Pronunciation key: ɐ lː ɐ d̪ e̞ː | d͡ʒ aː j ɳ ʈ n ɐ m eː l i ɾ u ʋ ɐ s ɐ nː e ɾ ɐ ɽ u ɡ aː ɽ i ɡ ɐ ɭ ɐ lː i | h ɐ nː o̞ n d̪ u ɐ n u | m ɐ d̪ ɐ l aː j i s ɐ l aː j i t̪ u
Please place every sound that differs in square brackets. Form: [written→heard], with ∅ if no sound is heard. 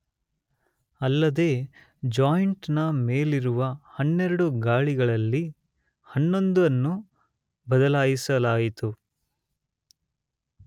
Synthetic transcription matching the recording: ɐ lː ɐ d̪ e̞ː | d͡ʒ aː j ɳ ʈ n ɐ m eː l i ɾ u ʋ ɐ [s→h] ɐ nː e ɾ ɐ ɽ u ɡ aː [ɽ→ɭ] i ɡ ɐ ɭ ɐ lː i | h ɐ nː o̞ n d̪ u ɐ [n→nː] u | [m→b] ɐ d̪ ɐ l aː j i s ɐ l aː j i t̪ u